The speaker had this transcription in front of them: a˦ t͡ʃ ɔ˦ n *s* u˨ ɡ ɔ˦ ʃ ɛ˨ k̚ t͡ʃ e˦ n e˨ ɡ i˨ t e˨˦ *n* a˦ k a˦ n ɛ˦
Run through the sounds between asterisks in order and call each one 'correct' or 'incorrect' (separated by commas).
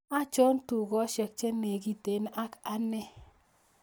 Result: incorrect, correct